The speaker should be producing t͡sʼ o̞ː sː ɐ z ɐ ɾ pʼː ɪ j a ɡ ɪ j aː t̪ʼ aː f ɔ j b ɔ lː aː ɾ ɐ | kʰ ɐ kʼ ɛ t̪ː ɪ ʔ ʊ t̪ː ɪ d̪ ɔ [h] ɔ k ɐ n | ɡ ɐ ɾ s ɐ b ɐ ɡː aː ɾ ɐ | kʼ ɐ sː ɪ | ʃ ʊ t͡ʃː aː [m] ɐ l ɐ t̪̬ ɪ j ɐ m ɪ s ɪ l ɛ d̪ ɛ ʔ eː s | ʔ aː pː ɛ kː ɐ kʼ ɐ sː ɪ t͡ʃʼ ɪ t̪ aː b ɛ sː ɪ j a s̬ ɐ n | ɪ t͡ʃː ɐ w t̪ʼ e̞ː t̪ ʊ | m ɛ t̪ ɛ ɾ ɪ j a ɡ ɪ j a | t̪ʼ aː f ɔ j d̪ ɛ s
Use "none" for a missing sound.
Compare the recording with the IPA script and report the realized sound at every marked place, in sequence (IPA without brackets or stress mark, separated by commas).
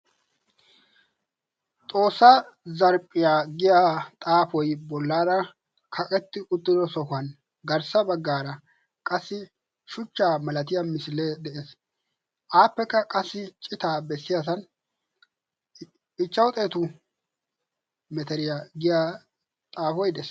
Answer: s, m